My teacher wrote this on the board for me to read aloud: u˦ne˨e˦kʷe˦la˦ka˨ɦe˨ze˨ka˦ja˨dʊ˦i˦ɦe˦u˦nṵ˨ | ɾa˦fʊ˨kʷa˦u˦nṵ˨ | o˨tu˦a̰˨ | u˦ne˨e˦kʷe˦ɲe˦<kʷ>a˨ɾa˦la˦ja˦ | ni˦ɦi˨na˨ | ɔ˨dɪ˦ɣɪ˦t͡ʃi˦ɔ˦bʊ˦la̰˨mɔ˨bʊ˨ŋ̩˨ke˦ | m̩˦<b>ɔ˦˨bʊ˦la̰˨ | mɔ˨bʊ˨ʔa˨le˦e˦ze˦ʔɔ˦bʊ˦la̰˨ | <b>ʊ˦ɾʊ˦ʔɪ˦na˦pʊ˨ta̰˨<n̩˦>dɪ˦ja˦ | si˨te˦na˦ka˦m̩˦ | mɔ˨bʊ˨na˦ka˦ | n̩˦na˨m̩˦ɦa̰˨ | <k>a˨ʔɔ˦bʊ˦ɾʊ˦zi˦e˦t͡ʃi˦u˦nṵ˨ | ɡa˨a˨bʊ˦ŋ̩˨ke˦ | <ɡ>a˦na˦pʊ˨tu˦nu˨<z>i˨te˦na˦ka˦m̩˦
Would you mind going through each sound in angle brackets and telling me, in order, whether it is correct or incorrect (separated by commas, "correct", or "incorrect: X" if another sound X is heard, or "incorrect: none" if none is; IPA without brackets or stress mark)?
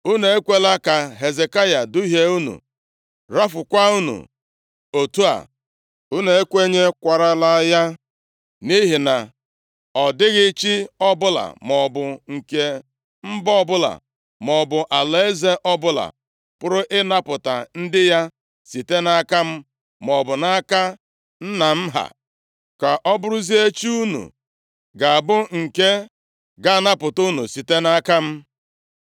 correct, correct, incorrect: p, correct, correct, correct, incorrect: s